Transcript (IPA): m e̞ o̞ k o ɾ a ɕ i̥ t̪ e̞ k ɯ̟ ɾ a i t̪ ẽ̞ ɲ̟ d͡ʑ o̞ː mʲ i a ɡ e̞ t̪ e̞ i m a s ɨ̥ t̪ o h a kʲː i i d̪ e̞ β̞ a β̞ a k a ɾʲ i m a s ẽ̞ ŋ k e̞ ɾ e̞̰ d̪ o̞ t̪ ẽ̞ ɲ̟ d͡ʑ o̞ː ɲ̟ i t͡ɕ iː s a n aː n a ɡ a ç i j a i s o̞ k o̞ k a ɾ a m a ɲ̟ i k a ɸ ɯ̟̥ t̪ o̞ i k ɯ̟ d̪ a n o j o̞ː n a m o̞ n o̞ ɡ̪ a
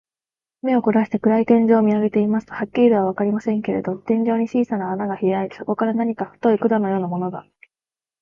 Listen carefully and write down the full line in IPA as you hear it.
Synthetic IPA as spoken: m e̞ o̞ k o ɾ a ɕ i̥ t̪ e̞ k ɯ̟ ɾ a i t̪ ẽ̞ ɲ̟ d͡ʑ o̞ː mʲ i a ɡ e̞ t̪ e̞ i m a s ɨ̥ t̪ o h a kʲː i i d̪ e̞ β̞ a β̞ a k a ɾʲ i m a s ẽ̞ ŋ k e̞ ɾ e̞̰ d̪ o̞ t̪ ẽ̞ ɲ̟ d͡ʑ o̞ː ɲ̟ i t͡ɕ iː s a n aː n a ɡ a ç i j a i s o̞ k o̞ k a ɾ a n a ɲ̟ i k a ɸ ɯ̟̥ t̪ o̞ i k ɯ̟ d̪ a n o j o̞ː n a m o̞ n o̞ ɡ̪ a